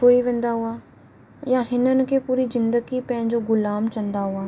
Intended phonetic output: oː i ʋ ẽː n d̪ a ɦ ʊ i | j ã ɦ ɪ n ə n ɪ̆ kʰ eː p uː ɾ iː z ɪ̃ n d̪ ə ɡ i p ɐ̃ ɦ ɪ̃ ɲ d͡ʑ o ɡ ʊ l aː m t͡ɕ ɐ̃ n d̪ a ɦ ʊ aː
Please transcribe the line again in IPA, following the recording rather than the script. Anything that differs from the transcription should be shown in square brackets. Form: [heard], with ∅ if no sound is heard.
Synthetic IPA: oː i ʋ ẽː n d̪ a ɦ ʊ [a] | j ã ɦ ɪ n ə n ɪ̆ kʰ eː p uː ɾ [i] z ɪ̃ n d̪ ə ɡ i p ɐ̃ ɦ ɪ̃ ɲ d͡ʑ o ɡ ʊ l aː m t͡ɕ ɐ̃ n d̪ a ɦ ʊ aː